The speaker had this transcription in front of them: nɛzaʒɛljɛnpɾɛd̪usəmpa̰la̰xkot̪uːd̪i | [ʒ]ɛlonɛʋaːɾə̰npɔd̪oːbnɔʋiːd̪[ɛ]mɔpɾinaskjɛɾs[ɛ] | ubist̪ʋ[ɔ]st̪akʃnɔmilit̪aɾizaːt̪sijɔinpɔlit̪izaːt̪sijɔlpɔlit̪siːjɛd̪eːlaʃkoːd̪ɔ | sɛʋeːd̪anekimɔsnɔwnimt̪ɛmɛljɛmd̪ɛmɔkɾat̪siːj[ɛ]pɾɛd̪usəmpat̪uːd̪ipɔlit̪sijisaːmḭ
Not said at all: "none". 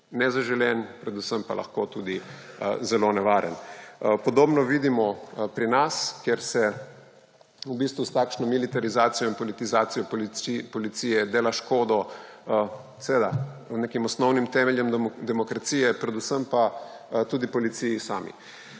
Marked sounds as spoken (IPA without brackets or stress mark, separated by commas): z, i, ɛ, u, ɛ